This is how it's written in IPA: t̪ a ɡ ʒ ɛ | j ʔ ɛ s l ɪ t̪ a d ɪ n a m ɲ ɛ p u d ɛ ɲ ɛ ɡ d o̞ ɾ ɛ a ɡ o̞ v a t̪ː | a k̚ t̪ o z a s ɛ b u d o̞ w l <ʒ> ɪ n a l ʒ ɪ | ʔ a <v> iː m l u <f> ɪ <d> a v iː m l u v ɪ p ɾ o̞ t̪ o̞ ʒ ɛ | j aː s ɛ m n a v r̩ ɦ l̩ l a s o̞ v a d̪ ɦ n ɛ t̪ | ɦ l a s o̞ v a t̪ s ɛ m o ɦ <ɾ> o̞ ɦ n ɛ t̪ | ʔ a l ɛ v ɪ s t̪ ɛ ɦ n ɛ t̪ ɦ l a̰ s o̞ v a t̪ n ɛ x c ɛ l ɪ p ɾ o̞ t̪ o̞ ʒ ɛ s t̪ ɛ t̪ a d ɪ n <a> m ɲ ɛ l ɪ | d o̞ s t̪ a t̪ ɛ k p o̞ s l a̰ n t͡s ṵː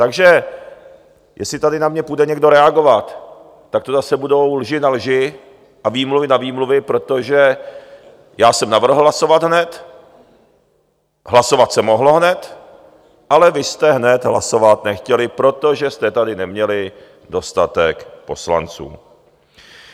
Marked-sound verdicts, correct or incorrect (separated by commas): correct, correct, incorrect, incorrect, incorrect, incorrect